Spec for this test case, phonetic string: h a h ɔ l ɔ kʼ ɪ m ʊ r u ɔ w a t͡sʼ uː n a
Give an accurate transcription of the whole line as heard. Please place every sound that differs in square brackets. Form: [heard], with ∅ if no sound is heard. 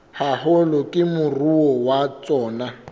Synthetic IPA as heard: h a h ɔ l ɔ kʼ ɪ m ʊ r u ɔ w a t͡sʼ [ɔː] n a

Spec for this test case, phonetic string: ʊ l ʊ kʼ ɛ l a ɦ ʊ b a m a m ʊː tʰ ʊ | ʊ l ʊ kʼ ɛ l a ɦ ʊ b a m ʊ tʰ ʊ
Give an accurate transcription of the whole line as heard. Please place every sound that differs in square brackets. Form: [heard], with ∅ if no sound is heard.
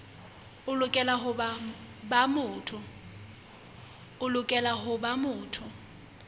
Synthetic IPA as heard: ʊ l ʊ kʼ ɛ l a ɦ ʊ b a [b] a m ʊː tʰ ʊ | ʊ l ʊ kʼ ɛ l a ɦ ʊ b a m [ʊː] tʰ ʊ

